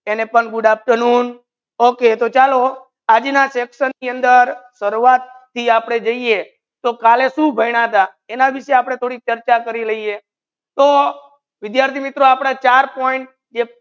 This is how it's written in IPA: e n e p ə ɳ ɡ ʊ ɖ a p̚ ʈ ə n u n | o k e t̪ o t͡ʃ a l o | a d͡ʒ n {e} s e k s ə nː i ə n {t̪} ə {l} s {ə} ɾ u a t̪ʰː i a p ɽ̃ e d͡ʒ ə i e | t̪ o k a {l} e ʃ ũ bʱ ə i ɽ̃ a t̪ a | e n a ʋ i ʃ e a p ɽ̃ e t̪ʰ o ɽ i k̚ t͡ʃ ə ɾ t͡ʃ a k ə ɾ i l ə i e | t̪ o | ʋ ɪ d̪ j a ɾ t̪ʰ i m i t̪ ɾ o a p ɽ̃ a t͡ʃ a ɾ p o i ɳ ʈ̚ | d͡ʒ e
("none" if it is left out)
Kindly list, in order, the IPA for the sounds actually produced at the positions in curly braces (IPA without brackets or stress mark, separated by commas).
a, d̪, ɾ, ə, l